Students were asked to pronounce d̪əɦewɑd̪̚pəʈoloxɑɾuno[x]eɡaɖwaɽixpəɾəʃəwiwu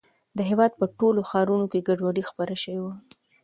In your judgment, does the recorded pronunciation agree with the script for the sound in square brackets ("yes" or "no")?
no